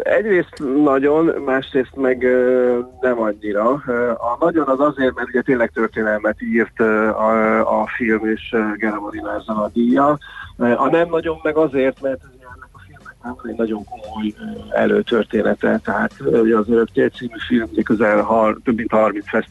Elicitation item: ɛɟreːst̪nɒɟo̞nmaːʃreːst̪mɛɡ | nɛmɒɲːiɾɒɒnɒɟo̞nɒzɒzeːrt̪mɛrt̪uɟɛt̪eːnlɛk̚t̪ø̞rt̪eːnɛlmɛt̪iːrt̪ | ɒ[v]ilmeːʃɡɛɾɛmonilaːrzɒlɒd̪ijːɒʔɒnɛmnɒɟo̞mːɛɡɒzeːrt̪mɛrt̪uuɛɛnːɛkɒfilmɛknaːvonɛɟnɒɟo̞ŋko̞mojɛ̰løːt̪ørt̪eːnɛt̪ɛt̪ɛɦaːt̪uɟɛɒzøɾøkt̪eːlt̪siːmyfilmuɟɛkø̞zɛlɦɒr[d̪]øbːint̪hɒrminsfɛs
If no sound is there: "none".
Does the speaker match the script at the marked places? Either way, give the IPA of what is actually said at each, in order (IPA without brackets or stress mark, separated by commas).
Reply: f, t̪